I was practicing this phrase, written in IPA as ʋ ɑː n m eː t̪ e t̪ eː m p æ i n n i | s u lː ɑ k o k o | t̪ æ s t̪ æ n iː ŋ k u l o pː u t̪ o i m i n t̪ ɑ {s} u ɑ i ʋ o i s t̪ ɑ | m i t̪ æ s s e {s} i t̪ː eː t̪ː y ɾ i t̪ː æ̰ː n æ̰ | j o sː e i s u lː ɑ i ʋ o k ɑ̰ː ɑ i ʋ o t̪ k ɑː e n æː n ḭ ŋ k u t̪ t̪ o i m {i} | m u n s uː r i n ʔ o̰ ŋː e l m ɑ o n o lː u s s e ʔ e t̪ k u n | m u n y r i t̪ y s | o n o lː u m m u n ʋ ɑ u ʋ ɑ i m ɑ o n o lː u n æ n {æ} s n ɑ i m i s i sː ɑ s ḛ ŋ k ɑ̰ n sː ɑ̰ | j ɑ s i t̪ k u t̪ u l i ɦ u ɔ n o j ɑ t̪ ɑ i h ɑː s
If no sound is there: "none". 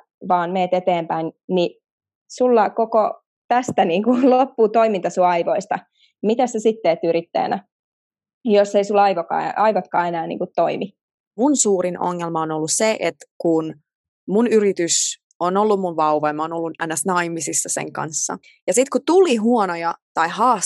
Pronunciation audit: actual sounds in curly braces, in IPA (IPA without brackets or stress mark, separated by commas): s, s, i, æ